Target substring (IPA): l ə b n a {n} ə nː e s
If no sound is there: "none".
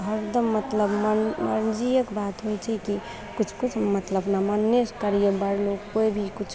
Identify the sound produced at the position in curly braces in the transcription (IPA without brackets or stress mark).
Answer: m